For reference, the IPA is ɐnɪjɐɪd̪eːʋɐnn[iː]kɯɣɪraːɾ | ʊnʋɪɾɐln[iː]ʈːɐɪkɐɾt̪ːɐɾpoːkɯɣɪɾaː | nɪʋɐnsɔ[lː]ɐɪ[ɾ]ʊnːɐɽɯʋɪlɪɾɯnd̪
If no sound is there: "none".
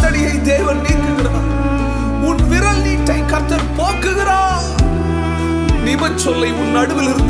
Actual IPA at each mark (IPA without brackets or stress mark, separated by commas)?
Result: iː, iː, lː, none